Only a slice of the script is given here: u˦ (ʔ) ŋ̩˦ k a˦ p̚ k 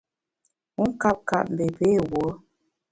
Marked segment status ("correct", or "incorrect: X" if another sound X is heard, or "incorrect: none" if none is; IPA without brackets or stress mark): incorrect: none